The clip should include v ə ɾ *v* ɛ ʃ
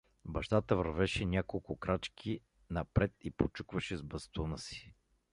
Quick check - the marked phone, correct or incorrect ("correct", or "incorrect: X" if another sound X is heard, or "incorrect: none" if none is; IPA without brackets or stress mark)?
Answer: correct